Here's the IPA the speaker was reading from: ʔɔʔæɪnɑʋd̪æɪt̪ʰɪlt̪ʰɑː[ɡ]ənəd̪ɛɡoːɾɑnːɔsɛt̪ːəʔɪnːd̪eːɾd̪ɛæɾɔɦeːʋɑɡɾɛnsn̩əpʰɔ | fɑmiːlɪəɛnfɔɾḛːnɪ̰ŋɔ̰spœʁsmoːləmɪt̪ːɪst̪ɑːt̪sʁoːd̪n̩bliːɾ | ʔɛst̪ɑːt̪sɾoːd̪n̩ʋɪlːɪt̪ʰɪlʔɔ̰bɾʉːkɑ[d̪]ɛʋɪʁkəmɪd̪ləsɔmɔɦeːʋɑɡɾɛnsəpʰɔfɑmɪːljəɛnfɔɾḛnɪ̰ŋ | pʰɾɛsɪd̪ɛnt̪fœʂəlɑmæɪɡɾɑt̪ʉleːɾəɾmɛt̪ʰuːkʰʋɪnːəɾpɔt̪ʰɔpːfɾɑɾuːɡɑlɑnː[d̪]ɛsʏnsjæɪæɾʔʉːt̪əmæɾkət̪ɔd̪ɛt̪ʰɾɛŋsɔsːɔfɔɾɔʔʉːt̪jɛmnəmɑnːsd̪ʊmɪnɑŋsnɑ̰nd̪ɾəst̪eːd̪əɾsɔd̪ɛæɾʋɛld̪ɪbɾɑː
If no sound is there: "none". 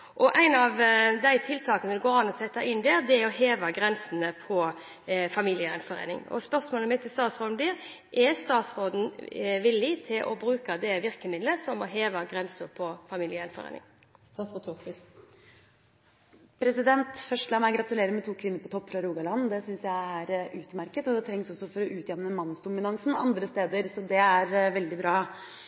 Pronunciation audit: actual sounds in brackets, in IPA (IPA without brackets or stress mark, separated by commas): k, d̪, d̪